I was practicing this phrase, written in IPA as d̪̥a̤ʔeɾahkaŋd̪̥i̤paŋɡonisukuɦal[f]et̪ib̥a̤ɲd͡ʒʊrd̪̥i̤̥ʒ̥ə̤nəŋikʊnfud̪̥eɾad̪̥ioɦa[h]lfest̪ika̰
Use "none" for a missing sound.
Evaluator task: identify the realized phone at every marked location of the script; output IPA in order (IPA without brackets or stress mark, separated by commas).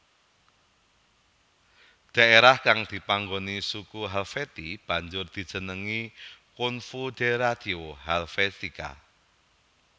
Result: f, none